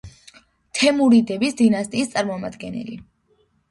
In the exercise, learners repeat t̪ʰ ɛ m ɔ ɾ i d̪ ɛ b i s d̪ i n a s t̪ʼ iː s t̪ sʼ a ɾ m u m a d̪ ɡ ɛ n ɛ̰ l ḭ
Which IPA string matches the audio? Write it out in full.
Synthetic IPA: t̪ʰ ɛ m u ɾ i d̪ ɛ b i s d̪ i n a s t̪ʼ iː s t̪ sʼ a ɾ m ɔ m a d̪ ɡ ɛ n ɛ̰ l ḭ